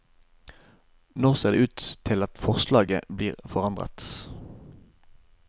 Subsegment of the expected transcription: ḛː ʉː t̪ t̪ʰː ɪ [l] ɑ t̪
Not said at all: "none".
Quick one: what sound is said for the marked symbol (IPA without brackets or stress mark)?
l